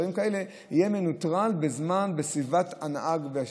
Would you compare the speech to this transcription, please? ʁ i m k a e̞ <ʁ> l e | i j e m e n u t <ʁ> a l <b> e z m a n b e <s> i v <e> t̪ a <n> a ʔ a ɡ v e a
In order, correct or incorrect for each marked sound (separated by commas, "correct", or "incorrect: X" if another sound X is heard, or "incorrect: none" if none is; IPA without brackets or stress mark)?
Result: incorrect: none, correct, correct, correct, incorrect: a, correct